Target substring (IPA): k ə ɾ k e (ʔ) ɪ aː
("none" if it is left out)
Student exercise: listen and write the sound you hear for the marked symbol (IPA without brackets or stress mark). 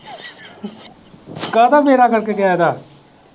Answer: k